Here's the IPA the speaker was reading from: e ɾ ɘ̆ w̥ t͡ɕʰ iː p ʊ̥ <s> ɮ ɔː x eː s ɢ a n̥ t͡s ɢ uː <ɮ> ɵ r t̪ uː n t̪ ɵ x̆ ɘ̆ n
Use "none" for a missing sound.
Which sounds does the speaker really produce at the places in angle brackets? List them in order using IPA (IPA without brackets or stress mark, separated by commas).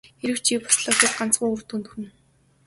s, none